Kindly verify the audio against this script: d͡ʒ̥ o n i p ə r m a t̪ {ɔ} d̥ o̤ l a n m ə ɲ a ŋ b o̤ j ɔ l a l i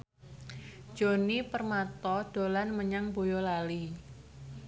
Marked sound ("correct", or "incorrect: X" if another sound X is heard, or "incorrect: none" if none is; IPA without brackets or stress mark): correct